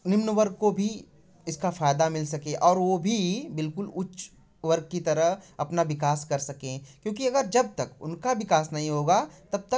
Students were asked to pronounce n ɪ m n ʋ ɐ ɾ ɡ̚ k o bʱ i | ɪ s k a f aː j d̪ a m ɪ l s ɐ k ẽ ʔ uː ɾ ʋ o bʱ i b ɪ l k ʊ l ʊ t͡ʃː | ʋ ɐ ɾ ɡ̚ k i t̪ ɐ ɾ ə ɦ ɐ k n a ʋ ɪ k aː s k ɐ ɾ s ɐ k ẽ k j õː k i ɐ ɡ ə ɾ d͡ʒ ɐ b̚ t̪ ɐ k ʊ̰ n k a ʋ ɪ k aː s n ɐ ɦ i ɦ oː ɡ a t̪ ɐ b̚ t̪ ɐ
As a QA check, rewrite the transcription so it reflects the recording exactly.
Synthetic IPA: n ɪ m n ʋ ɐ ɾ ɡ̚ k o bʱ i | ɪ s k a f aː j d̪ a m ɪ l s ɐ k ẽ ʔ ɔː ɾ ʋ o bʱ i b ɪ l k ʊ l ʊ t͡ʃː | ʋ ɐ ɾ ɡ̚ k i t̪ ɐ ɾ ə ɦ ɐ p n a ʋ ɪ k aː s k ɐ ɾ s ɐ k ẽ k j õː k i ɐ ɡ ə ɾ d͡ʒ ɐ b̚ t̪ ɐ k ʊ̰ n k a ʋ ɪ k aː s n ɐ ɦ ĩ ɦ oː ɡ a t̪ ɐ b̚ t̪ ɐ